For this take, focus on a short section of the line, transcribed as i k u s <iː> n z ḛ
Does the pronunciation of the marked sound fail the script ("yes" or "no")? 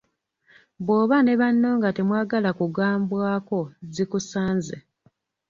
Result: yes